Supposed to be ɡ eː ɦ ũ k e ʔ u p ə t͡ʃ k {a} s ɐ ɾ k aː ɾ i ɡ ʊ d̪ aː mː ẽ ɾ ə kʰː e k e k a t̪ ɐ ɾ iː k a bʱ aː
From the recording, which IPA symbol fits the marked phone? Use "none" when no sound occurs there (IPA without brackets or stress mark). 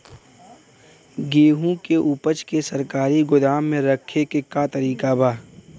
e